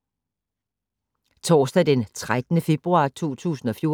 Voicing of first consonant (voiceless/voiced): voiceless